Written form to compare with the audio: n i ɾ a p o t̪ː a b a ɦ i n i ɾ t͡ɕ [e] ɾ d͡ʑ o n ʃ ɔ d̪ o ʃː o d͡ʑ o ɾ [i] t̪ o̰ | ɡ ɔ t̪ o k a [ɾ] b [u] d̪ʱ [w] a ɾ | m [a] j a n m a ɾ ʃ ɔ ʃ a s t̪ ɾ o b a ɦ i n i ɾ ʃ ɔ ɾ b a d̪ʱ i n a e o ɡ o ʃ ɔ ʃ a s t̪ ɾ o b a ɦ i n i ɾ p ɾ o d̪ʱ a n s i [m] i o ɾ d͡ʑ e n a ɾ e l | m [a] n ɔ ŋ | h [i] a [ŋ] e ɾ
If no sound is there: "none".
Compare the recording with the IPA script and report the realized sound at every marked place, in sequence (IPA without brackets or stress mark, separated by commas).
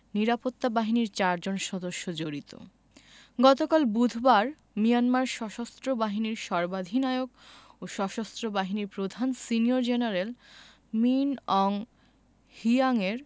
a, i, l, u, b, i, n, i, i, ŋ